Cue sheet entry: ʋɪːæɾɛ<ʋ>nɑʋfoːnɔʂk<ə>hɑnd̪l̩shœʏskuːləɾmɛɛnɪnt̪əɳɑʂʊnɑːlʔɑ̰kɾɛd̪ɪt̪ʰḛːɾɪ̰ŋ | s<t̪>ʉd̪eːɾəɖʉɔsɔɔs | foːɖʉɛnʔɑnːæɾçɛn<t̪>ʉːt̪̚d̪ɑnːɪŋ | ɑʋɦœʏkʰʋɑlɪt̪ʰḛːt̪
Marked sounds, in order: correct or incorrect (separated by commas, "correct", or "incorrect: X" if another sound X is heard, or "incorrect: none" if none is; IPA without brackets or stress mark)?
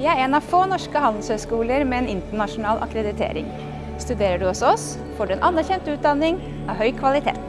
incorrect: none, correct, correct, correct